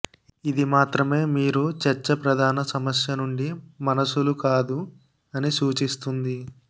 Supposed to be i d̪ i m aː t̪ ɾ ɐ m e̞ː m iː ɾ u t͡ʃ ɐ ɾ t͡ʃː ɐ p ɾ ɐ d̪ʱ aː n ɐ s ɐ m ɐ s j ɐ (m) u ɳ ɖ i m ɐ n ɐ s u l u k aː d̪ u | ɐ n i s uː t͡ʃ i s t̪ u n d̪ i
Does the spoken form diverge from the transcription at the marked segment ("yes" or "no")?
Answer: yes